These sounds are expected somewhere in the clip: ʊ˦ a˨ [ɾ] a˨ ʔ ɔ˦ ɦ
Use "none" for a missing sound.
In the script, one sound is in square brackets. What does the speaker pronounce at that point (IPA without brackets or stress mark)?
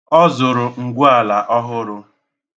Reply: l